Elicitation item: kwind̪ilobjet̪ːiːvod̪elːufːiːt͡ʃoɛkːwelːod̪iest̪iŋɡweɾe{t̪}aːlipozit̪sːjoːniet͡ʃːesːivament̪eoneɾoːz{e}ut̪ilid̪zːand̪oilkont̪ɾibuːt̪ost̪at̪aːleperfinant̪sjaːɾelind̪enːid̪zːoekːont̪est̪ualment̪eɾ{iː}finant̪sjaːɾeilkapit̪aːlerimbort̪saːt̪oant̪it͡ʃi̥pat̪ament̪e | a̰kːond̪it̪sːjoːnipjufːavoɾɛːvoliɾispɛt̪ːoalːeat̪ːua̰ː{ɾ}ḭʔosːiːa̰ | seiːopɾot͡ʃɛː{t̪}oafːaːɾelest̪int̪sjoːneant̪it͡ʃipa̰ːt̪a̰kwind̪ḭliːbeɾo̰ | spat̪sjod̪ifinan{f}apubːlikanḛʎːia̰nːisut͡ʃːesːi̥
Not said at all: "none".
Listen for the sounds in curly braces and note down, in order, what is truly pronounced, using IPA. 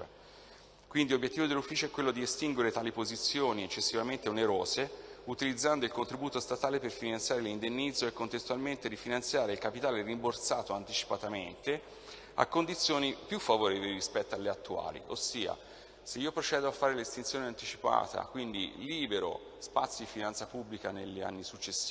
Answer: t̪, e, i, l, d̪, s

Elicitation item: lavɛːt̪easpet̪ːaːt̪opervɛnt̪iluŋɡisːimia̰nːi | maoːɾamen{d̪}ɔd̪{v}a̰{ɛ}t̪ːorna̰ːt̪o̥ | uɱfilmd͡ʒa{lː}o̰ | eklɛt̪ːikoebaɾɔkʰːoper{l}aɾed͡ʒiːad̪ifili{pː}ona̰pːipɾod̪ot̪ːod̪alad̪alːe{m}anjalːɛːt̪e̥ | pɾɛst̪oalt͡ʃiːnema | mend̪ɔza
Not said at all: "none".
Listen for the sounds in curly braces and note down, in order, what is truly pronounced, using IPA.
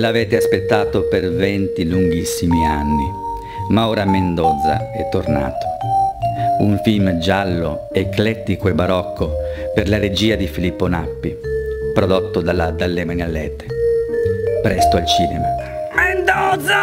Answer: d̪, z, ɛ, lː, l, pː, m

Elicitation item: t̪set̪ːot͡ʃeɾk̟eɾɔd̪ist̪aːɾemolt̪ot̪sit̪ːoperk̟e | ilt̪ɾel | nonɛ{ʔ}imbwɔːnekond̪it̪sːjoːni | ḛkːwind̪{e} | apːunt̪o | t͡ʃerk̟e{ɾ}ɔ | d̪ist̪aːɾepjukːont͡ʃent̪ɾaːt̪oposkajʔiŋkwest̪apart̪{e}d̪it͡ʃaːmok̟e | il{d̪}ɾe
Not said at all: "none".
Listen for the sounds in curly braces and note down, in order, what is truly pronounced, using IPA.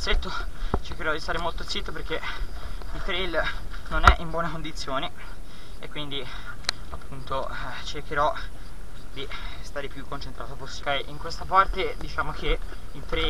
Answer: ʔ, i, ɾ, e, t̪

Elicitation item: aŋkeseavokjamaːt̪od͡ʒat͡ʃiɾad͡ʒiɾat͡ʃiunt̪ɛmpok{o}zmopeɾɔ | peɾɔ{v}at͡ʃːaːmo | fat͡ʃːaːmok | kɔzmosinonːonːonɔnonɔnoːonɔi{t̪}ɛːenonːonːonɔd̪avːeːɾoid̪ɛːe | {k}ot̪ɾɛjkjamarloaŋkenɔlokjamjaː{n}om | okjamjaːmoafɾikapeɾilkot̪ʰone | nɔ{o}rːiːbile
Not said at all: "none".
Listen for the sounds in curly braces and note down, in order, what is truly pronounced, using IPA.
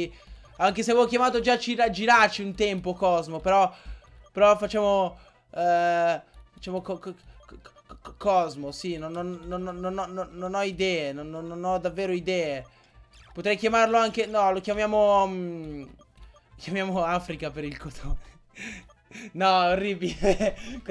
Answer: ɔ, f, d̪, p, m, o

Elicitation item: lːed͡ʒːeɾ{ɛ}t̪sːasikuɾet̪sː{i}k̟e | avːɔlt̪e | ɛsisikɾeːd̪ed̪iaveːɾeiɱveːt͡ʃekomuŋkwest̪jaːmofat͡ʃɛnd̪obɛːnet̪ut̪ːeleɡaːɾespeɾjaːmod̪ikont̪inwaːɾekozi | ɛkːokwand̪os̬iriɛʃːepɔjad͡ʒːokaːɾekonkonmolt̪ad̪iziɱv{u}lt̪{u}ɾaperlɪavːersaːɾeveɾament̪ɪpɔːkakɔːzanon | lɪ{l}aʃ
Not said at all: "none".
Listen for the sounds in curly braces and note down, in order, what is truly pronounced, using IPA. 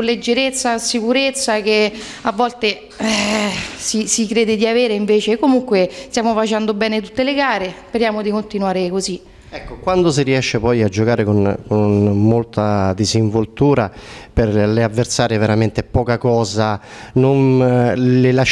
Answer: e, a, o, uː, l

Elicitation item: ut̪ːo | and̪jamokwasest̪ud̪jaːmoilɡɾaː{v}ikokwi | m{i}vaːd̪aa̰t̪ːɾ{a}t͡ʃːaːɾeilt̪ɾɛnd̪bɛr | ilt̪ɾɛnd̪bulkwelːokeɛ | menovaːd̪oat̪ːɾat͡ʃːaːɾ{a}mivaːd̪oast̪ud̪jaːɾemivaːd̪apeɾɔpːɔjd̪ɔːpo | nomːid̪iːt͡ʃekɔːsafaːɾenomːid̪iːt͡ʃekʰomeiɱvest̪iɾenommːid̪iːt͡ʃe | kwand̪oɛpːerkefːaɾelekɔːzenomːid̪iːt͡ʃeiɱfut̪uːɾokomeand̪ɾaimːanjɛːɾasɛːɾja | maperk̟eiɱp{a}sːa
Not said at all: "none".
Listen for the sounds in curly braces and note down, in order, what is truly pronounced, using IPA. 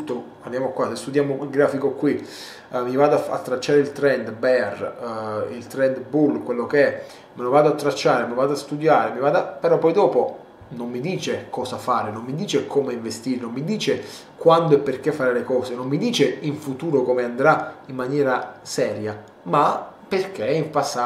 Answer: f, i, a, e, a

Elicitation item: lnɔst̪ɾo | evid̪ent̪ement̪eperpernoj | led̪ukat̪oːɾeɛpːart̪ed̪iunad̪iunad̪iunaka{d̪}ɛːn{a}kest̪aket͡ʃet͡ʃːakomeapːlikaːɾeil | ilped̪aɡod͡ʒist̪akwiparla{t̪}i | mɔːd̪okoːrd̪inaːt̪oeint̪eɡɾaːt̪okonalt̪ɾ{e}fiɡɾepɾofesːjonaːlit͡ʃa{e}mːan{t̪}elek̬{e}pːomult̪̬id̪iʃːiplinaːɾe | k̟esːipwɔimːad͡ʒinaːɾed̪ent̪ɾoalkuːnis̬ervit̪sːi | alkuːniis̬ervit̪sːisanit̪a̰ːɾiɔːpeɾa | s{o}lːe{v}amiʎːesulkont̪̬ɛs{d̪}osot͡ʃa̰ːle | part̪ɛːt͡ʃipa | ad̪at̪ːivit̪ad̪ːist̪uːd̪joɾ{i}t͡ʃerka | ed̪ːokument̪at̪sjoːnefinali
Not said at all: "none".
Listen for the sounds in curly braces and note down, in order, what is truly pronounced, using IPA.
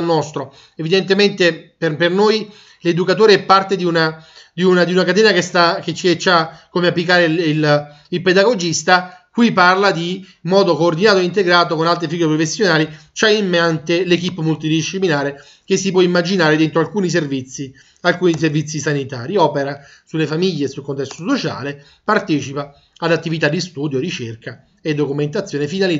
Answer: t̪, a, d̪, e, i, t̪, i, u, f, t̪, i

